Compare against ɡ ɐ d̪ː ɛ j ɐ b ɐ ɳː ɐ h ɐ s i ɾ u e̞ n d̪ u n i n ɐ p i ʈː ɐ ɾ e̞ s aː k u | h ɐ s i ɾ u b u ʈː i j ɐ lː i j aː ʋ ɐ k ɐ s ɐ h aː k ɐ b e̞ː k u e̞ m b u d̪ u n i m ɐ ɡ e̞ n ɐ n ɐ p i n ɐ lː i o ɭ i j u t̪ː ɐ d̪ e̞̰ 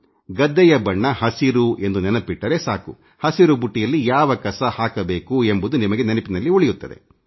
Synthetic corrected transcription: ɡ ɐ d̪ː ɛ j ɐ b ɐ ɳː ɐ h ɐ s i ɾ u e̞ n d̪ u n ɛ n ɐ p i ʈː ɐ ɾ e̞ s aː k u | h ɐ s i ɾ u b u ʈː i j ɐ lː i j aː ʋ ɐ k ɐ s ɐ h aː k ɐ b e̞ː k u e̞ m b u d̪ u n i m ɐ ɡ e̞ n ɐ n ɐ p i n ɐ lː i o ɭ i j u t̪ː ɐ d̪ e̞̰